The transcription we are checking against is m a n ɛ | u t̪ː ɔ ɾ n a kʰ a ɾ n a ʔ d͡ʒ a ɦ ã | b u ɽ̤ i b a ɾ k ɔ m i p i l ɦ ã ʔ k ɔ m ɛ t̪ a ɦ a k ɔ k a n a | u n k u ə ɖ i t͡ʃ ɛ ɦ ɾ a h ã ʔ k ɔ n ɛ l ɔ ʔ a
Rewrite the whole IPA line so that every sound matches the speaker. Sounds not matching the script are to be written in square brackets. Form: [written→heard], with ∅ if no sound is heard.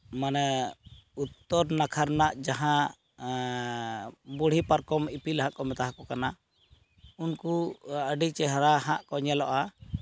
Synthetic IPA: m a n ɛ | u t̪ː ɔ ɾ n a kʰ a ɾ n a ʔ d͡ʒ a ɦ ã | b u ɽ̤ i [b→p] a ɾ k ɔ m i p i l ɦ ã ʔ k ɔ m ɛ t̪ a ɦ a k ɔ k a n a | u n k u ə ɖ i t͡ʃ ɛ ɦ ɾ a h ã ʔ k ɔ [n→ɲ] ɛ l ɔ ʔ a